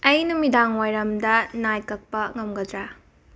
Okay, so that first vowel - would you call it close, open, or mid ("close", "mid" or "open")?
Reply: open